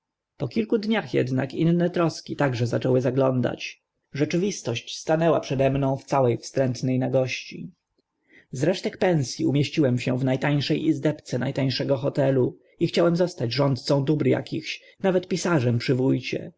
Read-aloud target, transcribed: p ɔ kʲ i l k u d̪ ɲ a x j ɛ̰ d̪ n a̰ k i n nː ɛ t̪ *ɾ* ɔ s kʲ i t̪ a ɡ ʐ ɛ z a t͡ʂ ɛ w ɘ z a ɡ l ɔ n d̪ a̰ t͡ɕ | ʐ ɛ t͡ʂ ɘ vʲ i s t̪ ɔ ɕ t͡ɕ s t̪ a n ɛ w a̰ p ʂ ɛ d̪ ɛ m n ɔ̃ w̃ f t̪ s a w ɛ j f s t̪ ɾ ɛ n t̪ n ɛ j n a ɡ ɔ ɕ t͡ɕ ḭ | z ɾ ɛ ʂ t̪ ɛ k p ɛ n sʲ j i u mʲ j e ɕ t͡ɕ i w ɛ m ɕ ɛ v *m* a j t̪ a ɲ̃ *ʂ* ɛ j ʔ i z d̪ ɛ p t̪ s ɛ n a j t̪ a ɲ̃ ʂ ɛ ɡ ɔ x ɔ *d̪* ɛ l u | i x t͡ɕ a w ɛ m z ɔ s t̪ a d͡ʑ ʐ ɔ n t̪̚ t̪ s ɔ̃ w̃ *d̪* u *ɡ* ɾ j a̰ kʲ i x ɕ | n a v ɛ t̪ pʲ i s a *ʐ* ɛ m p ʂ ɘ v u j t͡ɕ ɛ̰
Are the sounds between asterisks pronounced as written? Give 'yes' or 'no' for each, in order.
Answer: yes, no, yes, no, yes, no, yes

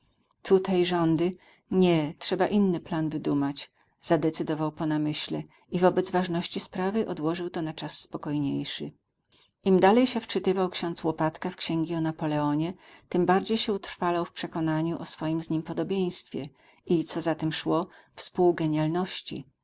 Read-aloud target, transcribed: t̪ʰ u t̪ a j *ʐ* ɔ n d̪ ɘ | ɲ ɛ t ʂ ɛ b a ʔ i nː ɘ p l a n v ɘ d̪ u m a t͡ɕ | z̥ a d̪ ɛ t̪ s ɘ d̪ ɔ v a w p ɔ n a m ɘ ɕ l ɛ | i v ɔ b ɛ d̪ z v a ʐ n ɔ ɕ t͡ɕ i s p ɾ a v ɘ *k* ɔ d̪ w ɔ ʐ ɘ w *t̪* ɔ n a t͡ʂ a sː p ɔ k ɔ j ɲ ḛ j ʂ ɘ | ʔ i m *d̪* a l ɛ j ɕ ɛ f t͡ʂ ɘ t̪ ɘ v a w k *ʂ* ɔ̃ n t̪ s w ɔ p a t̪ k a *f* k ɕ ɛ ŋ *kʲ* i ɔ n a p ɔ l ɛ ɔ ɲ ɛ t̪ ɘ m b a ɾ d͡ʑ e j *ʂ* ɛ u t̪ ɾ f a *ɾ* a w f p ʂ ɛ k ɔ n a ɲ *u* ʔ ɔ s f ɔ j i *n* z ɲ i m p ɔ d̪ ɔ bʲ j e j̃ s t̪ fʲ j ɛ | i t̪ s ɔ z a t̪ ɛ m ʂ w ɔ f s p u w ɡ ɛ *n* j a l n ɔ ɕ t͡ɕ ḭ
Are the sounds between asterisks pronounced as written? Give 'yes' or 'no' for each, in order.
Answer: yes, no, yes, yes, no, yes, no, no, no, yes, no, no

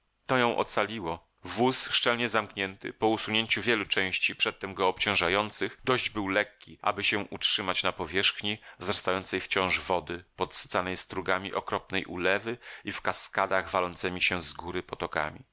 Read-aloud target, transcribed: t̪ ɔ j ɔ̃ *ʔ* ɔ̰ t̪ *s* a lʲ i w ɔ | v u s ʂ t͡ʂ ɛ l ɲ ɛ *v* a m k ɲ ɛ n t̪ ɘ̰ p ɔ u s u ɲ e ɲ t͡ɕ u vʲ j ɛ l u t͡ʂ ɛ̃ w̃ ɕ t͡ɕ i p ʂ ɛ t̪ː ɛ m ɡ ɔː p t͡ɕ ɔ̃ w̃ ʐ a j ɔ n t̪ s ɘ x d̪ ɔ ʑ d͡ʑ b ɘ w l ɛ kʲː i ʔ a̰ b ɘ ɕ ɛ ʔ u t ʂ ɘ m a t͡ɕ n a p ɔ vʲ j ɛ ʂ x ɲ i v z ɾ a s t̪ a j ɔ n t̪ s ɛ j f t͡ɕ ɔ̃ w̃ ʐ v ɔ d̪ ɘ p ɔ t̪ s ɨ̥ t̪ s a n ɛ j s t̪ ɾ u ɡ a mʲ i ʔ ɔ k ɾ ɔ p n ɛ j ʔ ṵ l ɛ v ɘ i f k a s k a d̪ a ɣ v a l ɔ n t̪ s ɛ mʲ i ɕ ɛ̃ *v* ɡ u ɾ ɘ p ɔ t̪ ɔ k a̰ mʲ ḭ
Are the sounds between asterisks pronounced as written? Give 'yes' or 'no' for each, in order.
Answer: yes, yes, no, no

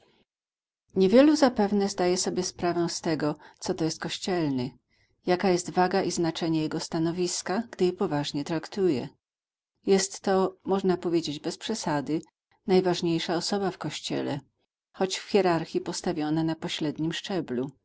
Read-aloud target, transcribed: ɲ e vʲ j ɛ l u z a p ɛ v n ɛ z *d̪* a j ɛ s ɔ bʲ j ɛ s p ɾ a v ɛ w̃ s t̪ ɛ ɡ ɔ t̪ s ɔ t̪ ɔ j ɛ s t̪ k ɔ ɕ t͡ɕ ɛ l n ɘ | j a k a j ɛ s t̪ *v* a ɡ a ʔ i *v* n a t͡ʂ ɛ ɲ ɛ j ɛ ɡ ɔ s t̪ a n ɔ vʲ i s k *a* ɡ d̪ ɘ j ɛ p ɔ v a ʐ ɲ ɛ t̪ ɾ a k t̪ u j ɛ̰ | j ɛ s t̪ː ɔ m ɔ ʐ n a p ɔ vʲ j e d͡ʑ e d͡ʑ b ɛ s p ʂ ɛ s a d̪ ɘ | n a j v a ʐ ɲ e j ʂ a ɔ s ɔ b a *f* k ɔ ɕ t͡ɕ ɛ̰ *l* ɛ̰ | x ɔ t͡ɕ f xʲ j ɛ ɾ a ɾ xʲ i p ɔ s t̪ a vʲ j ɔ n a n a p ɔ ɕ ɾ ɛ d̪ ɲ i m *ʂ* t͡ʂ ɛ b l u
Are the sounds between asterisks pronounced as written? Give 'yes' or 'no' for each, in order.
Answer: yes, yes, no, yes, yes, yes, yes

